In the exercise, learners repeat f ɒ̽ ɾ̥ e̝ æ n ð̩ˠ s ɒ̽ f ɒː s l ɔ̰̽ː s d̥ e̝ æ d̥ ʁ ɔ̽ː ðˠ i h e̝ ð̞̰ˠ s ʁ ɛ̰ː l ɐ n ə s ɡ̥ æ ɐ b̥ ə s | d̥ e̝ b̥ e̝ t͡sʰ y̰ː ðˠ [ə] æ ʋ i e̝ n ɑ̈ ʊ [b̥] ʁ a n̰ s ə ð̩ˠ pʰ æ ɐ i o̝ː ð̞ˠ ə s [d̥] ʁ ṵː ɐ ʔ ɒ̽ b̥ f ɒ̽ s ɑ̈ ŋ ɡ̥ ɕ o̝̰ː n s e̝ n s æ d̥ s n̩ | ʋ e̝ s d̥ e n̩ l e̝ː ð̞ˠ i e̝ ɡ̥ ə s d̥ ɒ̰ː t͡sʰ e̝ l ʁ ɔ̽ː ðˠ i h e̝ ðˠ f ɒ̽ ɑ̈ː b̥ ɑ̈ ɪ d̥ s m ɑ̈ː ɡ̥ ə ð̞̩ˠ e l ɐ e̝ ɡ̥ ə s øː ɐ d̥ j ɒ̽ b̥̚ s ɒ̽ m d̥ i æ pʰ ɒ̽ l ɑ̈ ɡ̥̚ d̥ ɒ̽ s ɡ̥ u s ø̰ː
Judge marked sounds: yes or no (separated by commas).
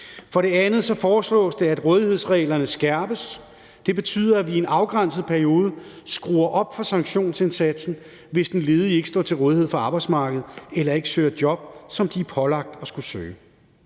no, no, no